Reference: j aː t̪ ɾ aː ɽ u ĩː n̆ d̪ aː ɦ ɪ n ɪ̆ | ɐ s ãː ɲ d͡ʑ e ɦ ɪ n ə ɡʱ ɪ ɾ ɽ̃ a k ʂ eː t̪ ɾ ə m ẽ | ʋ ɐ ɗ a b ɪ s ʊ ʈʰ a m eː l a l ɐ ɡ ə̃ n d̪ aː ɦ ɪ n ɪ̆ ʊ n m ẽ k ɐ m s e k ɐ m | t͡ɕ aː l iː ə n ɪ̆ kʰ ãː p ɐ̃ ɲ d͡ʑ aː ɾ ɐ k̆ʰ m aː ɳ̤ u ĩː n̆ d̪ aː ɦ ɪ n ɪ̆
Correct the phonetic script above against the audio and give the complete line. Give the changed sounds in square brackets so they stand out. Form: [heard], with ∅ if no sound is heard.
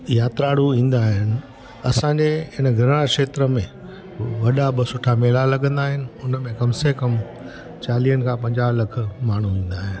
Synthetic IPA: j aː t̪ ɾ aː ɽ u ĩː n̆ d̪ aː ɦ ɪ n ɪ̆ | ɐ s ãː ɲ d͡ʑ e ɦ ɪ n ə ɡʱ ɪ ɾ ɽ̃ a k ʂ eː t̪ ɾ ə m ẽ | ʋ ɐ ɗ a b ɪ s ʊ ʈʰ a m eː l a l ɐ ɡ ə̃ n d̪ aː ɦ ɪ n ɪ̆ ʊ n m ẽ k ɐ m s e k ɐ m | t͡ɕ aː l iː ə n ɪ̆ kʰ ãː p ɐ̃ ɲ d͡ʑ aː [l] ɐ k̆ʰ m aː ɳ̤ u ĩː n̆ d̪ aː ɦ ɪ n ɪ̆

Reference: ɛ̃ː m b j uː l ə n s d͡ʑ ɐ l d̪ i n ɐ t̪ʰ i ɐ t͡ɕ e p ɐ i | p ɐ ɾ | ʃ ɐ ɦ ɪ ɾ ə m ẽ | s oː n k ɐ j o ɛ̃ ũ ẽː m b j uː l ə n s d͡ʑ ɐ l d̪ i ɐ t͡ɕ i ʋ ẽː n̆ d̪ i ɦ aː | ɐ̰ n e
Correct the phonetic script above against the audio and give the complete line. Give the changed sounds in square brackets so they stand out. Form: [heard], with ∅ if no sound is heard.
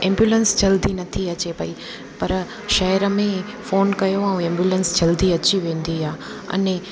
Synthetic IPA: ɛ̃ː m b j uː l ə n s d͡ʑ ɐ l d̪ i n ɐ t̪ʰ i ɐ t͡ɕ e p ɐ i | p ɐ ɾ | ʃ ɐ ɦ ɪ ɾ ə m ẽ | [f] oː n k ɐ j o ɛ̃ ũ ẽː m b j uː l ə n s d͡ʑ ɐ l d̪ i ɐ t͡ɕ i ʋ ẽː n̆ d̪ i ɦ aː | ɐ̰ n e

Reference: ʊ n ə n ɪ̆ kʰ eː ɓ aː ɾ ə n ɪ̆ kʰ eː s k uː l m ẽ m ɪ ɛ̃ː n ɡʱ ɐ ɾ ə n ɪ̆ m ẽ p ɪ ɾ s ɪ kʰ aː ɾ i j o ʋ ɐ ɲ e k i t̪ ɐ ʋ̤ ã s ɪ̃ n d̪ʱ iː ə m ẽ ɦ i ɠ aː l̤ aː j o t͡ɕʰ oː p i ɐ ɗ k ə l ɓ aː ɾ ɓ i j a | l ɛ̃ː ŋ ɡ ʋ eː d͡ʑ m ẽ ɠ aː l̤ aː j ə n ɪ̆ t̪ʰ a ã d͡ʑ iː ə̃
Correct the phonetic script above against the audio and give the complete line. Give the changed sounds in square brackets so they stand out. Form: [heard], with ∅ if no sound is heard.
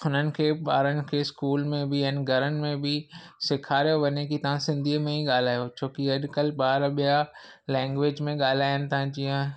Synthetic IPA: ʊ n ə n ɪ̆ kʰ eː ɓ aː ɾ ə n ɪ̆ kʰ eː s k uː l m ẽ [b] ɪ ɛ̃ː n ɡʱ ɐ ɾ ə n ɪ̆ m ẽ [b] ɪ [∅] s ɪ kʰ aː ɾ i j o ʋ ɐ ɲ e k i t̪ ɐ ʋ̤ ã s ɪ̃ n d̪ʱ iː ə m ẽ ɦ i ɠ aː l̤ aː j o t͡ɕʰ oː [k] i ɐ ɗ k ə l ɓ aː ɾ ɓ i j a | l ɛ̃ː ŋ ɡ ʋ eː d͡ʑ m ẽ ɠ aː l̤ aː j ə n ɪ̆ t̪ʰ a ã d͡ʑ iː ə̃

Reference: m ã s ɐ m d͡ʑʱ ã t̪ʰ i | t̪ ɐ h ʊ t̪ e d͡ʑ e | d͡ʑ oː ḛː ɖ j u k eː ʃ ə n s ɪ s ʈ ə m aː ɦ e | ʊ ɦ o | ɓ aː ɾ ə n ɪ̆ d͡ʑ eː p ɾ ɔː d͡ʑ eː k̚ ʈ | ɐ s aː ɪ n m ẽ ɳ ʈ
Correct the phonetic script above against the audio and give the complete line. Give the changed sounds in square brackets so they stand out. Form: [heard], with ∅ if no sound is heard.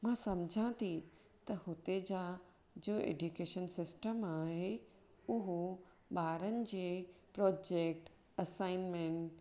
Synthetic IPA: m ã s ɐ m d͡ʑʱ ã t̪ʰ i | t̪ ɐ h ʊ t̪ e d͡ʑ [a] | d͡ʑ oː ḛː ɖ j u k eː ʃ ə n s ɪ s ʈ ə m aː ɦ e | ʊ ɦ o | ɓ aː ɾ ə n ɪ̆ d͡ʑ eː p ɾ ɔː d͡ʑ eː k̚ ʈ | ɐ s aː ɪ n m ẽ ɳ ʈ

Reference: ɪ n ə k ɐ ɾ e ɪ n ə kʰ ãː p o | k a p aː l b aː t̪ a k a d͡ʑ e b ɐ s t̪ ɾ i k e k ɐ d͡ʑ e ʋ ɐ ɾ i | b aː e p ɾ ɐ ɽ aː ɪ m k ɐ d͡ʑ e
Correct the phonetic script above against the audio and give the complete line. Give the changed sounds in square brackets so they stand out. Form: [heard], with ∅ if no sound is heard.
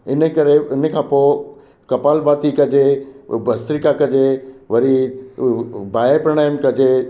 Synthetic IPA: ɪ n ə k ɐ ɾ e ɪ n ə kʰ ãː p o | k [ɐ] p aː l b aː t̪ [i] k [ɐ] d͡ʑ e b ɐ s t̪ ɾ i k [a] k ɐ d͡ʑ e ʋ ɐ ɾ i | b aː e p ɾ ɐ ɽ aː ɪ m k ɐ d͡ʑ e

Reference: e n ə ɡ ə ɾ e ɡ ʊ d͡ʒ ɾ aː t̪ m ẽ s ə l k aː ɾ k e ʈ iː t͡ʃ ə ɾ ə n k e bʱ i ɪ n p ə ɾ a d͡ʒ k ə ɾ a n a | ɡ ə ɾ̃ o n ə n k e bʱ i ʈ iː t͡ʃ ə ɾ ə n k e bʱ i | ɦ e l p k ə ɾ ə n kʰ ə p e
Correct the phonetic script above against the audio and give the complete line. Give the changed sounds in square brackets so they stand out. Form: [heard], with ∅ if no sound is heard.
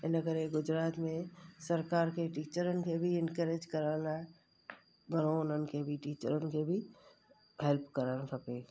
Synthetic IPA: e n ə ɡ ə ɾ e ɡ ʊ d͡ʒ ɾ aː t̪ m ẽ s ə [ɾ] k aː ɾ k e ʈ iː t͡ʃ ə ɾ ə n k e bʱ i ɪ n [k] ə ɾ [e] d͡ʒ k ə ɾ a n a | ɡ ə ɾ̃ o n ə n k e bʱ i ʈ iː t͡ʃ ə ɾ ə n k e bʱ i | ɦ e l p k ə ɾ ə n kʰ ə p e

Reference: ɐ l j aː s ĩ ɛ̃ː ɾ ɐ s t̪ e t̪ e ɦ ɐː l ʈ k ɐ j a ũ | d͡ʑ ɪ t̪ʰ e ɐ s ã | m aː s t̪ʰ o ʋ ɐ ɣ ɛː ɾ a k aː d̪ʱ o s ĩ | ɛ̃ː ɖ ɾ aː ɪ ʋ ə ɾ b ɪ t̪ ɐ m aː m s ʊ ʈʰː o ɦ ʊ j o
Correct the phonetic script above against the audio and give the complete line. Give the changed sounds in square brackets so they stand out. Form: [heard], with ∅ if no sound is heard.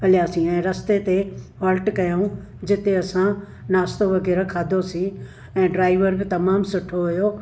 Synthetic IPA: ɐ l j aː s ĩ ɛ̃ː ɾ ɐ s t̪ e t̪ e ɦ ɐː l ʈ k ɐ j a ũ | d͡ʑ ɪ [t̪] e ɐ s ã | [n] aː s [t̪] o ʋ ɐ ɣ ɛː ɾ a [kʰ] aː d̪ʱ o s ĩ | ɛ̃ː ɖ ɾ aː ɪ ʋ ə ɾ b ɪ t̪ ɐ m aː m s ʊ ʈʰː o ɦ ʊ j o

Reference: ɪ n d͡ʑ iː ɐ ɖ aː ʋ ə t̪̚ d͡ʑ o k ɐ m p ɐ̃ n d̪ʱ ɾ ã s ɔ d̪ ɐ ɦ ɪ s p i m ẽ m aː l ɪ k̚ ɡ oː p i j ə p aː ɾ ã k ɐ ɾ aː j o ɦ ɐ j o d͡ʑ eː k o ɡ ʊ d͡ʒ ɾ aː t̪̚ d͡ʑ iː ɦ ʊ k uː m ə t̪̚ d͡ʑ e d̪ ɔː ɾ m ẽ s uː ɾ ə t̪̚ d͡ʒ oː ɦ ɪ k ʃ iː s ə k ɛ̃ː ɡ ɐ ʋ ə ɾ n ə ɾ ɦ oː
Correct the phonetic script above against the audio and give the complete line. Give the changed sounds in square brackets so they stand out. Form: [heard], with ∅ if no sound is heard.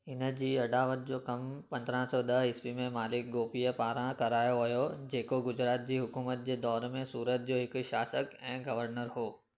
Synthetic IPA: ɪ n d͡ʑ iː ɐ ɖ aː ʋ ə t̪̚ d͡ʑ o k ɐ m p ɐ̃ n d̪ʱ ɾ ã s ɔ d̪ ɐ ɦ ɪ s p i m ẽ m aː l ɪ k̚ ɡ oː p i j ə p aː ɾ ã k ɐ ɾ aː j o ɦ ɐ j o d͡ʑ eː k o ɡ ʊ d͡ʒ ɾ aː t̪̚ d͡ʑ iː ɦ ʊ k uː m ə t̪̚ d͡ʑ e d̪ ɔː ɾ m ẽ s uː ɾ ə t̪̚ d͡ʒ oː ɦ ɪ k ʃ [aː] s ə k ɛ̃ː ɡ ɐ ʋ ə ɾ n ə ɾ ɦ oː

